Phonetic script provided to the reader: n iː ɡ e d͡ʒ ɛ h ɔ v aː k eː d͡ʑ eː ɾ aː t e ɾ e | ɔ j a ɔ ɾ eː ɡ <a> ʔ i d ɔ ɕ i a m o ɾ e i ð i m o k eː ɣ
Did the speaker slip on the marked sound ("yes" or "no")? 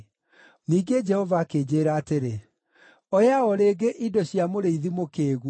yes